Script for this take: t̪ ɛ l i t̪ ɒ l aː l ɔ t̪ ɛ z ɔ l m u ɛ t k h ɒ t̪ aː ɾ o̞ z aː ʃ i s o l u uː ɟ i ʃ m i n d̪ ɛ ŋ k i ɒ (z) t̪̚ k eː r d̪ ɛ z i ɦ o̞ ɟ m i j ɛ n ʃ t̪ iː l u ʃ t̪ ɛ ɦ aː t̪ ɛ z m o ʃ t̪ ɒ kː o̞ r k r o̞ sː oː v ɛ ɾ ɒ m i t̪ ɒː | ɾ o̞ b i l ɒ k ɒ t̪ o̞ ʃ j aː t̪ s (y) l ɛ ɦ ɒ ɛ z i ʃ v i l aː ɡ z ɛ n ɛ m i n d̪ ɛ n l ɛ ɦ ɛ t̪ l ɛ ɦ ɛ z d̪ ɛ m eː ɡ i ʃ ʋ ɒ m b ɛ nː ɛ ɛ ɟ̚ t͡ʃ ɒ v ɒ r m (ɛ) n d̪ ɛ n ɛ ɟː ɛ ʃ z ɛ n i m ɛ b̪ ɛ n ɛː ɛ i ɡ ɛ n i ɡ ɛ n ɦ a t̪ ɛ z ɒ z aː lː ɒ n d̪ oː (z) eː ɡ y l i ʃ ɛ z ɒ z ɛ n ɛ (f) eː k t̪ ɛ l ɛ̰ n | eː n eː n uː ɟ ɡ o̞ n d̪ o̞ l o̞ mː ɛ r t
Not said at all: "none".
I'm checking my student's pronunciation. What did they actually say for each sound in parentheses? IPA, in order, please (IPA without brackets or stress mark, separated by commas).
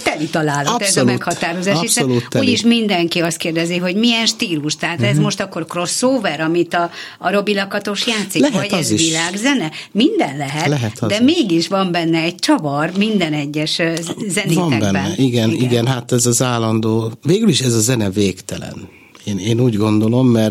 s, i, i, v, v